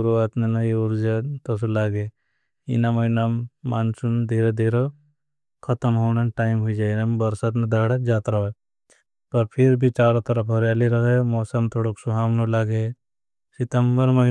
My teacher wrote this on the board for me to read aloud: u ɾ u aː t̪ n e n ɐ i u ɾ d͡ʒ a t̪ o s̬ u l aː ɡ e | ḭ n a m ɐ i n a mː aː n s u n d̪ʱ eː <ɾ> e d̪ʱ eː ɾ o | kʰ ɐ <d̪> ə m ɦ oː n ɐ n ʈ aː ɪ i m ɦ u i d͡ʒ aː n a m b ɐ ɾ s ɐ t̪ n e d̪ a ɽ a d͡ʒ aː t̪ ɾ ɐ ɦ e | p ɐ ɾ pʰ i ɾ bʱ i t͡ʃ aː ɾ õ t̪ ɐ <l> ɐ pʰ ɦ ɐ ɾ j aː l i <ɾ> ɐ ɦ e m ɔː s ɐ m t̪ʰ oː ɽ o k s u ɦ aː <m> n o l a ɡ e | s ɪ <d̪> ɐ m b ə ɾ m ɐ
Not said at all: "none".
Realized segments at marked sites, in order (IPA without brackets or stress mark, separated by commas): ɾ, t̪, ɾ, ɾ, m, t̪